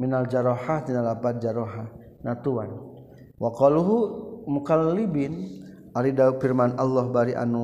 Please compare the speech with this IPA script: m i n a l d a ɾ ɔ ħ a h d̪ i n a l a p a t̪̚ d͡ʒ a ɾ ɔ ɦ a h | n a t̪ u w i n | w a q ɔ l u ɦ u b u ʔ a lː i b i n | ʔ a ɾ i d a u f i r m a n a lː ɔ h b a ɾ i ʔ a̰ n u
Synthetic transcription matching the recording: m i n a l d͡ʒ a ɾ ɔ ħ a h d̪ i n a l a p a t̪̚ d͡ʒ a ɾ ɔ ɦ a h | n a t̪ u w a n | w a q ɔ l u ɦ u m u k a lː i b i n | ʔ a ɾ i d a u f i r m a n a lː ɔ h b a ɾ i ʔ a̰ n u